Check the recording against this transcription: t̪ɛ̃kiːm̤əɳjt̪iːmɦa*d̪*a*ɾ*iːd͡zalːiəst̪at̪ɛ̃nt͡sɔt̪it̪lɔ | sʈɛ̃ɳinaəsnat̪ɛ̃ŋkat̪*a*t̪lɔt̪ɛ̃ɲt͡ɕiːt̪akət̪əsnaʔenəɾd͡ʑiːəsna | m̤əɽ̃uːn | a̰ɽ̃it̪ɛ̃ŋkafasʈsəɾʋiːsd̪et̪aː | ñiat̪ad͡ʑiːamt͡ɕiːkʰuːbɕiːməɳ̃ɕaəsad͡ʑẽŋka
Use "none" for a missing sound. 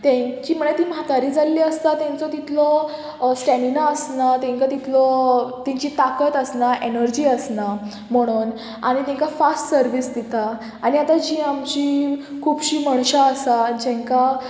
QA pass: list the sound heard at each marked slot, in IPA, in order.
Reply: t̪, ɾ, i

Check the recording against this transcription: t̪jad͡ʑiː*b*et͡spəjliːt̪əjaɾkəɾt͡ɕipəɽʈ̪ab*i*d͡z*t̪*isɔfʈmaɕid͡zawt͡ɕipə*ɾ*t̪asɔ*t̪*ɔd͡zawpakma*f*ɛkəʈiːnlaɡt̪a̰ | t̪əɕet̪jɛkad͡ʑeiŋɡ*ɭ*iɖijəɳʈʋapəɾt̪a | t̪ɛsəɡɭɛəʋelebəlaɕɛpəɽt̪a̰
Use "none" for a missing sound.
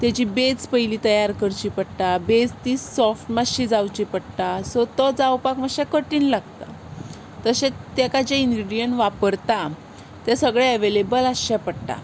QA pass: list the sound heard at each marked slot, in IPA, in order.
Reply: b, e, t̪, ɽ, t̪, ɕ, ɾ

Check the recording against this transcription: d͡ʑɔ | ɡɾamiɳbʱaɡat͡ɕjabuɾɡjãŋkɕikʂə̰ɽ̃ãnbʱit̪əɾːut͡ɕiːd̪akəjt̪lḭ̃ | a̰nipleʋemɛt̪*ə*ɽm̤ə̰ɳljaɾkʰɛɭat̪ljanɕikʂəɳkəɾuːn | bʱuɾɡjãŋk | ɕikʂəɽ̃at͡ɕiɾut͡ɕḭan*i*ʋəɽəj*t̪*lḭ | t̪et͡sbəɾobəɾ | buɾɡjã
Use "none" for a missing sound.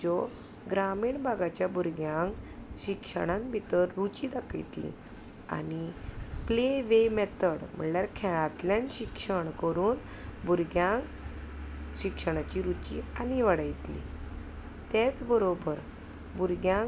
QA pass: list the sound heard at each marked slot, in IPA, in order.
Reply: ə, i, t̪

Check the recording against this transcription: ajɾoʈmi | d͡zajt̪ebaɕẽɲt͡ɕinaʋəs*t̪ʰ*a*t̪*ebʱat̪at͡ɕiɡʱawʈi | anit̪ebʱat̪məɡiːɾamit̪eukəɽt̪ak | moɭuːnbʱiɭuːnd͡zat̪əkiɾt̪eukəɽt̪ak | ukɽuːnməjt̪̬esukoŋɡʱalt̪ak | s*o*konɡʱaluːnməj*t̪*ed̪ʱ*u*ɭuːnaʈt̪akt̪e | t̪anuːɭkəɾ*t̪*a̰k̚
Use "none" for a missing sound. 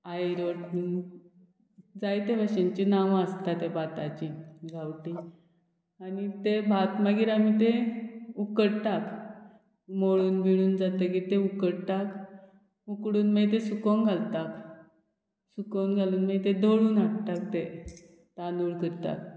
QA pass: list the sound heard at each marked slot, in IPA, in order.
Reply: t̪, t̪, u, t̪, o, t̪

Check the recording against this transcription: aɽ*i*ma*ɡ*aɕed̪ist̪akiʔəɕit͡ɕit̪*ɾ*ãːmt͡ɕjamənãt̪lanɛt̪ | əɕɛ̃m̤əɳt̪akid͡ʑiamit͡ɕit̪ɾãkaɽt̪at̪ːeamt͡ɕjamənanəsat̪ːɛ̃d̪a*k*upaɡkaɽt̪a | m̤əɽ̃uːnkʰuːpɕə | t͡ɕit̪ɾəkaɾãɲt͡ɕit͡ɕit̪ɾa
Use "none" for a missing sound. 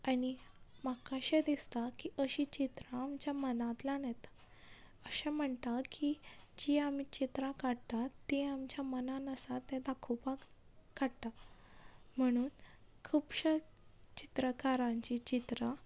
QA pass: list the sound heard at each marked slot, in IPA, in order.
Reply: i, k, ɾ, kʰ

